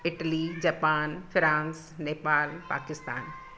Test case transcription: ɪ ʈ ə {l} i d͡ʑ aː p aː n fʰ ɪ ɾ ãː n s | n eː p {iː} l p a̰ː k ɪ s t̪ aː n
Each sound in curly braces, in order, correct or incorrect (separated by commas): correct, incorrect